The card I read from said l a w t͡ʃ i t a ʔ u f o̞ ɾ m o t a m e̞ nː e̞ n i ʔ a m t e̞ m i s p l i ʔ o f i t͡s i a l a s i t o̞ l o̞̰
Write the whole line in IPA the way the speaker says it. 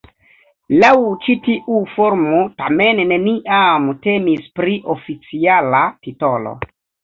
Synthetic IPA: l a w t͡ʃ i t i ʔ u f o̞ ɾ m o t a m e̞ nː e̞ n i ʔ a m t e̞ m i s p ɾ i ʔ o f i t͡s i a l a t i t o̞ l o̞̰